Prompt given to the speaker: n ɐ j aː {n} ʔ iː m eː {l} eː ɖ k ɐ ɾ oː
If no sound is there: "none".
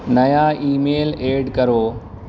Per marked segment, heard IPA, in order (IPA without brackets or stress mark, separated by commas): none, l